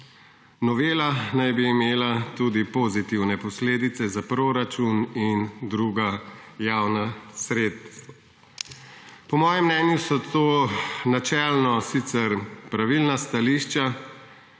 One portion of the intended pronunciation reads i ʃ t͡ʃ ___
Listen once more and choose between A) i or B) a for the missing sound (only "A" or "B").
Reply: B